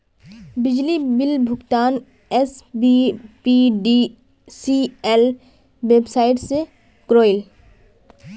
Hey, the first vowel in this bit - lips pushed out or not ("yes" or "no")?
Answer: no